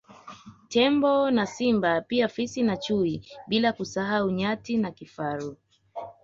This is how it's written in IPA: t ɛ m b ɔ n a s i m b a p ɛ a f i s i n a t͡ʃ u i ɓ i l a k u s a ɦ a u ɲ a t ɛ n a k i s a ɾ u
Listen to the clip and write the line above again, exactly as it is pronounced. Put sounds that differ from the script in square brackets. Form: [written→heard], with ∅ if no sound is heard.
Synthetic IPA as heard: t ɛ m b ɔ n a s i m b a p [ɛ→i] a f i s i n a t͡ʃ u i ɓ i l a k u s a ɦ a u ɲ a t [ɛ→i] n a k i [s→f] a ɾ u